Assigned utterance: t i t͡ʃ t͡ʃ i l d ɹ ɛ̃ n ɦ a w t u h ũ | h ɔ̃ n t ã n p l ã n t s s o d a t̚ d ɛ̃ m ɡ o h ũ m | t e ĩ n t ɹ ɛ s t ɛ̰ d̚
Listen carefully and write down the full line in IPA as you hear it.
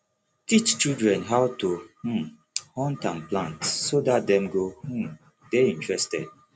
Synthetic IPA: t i t͡ʃ t͡ʃ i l d ɹ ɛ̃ n ɦ a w t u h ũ | h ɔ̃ n t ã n p l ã n t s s o d a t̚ d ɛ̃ m ɡ o h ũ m | d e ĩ n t ɹ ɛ s t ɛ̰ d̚